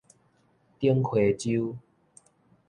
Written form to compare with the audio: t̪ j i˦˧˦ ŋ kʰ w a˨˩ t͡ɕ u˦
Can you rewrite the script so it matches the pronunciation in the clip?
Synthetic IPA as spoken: t̪ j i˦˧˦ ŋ kʰ w e˨˩ t͡ɕ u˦